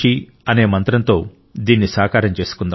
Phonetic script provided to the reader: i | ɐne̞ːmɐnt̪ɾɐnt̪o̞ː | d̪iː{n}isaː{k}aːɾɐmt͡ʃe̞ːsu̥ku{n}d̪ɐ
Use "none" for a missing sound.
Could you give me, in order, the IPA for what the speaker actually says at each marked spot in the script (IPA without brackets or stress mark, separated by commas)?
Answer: nː, k, n